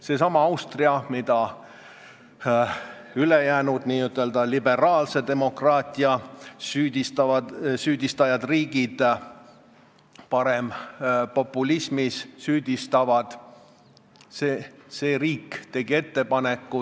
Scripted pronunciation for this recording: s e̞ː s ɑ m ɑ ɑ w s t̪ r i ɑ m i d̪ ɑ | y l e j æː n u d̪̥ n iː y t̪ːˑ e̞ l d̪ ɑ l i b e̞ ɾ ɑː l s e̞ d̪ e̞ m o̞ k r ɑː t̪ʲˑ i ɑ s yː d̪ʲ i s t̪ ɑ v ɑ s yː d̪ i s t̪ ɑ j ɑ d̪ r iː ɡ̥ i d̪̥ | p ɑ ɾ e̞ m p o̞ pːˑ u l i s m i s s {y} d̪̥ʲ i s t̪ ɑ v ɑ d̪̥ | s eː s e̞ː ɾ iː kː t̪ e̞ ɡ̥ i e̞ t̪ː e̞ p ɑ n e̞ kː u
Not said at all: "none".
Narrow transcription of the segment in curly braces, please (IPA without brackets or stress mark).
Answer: yː